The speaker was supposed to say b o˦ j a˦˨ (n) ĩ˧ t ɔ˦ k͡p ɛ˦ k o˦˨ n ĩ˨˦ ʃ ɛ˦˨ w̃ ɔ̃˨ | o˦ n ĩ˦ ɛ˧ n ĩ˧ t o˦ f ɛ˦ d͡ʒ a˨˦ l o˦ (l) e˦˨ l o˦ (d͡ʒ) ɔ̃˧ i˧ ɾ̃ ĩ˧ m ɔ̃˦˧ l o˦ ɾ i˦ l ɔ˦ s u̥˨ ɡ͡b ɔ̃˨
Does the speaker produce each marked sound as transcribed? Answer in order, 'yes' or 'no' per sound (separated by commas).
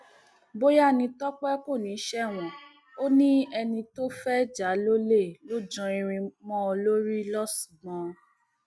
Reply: yes, yes, yes